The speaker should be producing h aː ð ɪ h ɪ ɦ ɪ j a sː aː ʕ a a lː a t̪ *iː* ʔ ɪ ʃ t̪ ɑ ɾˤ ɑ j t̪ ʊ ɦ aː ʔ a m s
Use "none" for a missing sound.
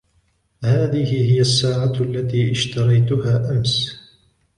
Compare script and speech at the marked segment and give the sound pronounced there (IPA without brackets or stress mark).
iː